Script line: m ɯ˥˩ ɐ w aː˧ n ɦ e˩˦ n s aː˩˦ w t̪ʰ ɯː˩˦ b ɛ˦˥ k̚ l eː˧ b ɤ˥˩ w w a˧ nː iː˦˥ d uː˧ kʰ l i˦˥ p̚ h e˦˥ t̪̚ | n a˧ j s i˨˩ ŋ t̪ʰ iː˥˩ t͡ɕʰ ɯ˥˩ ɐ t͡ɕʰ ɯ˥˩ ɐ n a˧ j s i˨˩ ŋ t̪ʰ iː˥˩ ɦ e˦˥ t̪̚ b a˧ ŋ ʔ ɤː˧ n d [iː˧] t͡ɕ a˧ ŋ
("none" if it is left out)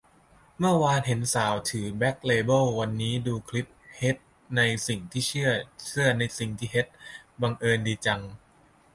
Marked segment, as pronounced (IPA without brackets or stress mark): iː˧